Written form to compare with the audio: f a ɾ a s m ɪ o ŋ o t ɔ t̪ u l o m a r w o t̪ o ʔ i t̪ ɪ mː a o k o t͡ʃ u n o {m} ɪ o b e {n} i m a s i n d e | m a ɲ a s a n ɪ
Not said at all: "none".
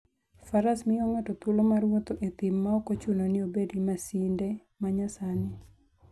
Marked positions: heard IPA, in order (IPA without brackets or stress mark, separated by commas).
n, d